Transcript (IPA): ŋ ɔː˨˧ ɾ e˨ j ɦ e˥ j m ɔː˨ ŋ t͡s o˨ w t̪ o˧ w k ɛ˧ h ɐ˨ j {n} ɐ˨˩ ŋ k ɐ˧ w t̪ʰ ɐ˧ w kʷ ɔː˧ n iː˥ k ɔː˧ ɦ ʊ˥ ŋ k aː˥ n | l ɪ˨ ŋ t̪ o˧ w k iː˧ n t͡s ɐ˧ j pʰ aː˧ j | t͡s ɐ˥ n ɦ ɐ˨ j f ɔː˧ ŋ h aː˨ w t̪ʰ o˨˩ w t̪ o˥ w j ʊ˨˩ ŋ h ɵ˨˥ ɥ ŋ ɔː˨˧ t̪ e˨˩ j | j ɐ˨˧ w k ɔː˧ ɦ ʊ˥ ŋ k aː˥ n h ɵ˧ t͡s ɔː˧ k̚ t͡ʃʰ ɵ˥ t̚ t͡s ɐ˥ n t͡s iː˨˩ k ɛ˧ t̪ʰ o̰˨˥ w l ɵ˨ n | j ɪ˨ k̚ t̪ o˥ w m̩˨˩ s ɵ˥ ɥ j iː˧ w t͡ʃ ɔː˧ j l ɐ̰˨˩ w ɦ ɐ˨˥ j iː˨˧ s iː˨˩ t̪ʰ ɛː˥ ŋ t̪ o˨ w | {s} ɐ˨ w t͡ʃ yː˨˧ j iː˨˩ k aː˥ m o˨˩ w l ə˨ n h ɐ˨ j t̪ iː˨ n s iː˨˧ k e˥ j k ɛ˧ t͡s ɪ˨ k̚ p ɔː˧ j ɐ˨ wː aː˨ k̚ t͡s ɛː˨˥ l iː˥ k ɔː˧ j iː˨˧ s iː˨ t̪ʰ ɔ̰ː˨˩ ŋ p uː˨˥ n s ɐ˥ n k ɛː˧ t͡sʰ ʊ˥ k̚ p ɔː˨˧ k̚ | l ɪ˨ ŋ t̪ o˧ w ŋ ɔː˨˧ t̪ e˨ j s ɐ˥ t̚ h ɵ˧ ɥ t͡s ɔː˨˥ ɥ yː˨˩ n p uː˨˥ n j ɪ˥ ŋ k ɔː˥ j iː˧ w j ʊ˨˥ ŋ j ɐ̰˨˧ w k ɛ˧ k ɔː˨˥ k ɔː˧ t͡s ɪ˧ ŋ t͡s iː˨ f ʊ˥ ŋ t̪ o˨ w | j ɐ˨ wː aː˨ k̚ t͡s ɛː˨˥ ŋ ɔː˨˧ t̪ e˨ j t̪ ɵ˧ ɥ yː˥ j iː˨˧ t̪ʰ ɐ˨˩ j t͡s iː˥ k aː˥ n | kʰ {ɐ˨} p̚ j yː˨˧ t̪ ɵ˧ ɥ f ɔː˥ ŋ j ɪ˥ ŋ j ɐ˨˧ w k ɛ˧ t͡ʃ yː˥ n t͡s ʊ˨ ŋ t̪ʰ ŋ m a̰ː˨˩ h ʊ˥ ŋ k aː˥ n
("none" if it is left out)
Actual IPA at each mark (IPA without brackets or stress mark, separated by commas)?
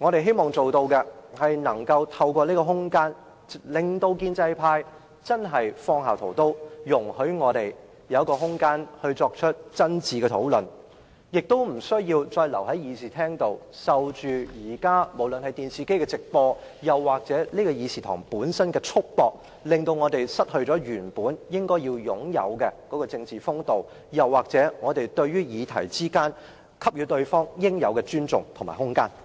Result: n, s, ɐ˥